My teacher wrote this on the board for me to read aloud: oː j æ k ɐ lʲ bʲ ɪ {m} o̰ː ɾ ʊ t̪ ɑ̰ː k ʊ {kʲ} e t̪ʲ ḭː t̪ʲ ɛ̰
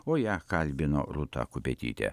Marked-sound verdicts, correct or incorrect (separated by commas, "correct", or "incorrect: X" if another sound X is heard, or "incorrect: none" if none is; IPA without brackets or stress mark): incorrect: n, incorrect: pʲ